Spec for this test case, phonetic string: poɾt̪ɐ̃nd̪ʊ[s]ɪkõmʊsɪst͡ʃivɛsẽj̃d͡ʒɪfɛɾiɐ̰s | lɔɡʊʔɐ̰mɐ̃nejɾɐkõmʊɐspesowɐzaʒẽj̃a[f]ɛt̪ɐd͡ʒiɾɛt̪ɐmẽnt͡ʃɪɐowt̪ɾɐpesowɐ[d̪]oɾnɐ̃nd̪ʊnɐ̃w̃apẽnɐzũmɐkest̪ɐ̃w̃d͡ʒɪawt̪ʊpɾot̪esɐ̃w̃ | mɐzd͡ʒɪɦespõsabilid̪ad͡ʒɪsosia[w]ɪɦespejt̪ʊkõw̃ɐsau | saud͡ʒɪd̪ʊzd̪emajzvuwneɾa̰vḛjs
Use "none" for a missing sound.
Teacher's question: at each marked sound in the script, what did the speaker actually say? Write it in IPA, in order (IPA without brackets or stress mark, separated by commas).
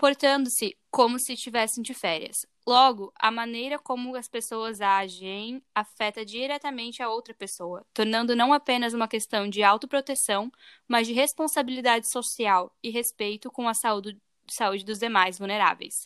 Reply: s, f, t̪, w